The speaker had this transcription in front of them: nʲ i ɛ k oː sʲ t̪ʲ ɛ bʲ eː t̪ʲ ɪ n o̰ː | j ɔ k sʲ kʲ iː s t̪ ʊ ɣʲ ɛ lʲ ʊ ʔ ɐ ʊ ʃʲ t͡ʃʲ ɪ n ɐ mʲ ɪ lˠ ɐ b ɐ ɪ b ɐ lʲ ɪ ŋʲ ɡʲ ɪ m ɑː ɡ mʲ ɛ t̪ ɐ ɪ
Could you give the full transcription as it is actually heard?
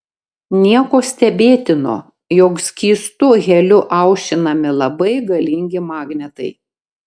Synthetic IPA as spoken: nʲ i ɛ k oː sʲ t̪ʲ ɛ bʲ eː t̪ʲ ɪ n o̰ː | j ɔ k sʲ kʲ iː s t̪ ʊ ɣʲ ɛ lʲ ʊ ʔ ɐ ʊ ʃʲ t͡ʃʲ ɪ n ɐ mʲ ɪ lˠ ɐ b ɐ ɪ ɡ ɐ lʲ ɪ ŋʲ ɡʲ ɪ m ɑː ɡ nʲ ɛ t̪ ɐ ɪ